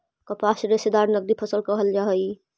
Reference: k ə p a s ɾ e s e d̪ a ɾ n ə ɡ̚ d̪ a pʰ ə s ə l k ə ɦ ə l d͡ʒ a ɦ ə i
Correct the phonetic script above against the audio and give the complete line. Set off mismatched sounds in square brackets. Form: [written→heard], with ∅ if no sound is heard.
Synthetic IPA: k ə p a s ɾ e s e d̪ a ɾ n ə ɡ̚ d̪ [a→i] pʰ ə s ə l k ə ɦ ə l d͡ʒ a ɦ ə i